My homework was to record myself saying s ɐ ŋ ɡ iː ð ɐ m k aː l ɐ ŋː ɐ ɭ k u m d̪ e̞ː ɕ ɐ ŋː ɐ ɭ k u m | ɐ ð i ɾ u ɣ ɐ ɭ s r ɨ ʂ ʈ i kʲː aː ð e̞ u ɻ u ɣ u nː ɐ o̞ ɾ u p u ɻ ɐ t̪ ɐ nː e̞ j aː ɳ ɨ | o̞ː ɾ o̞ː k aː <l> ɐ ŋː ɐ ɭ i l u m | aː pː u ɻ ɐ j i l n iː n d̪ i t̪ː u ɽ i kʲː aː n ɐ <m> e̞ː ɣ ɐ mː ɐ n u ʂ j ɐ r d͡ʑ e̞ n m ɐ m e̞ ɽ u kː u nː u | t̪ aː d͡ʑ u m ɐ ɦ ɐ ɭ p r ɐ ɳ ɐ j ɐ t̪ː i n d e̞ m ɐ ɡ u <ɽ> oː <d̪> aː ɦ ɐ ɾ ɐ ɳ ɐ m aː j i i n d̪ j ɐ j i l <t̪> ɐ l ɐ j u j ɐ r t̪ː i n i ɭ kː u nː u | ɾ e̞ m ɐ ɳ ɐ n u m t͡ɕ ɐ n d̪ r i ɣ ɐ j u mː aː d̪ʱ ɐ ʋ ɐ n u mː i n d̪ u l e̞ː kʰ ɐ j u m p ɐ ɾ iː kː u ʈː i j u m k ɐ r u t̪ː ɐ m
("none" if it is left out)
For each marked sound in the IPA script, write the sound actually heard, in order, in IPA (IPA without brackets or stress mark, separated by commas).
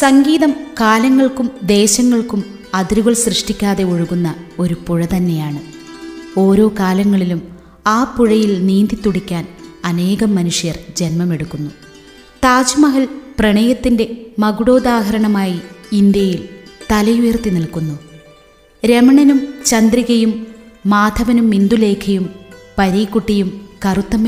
l, n, ɽ, d̪, t̪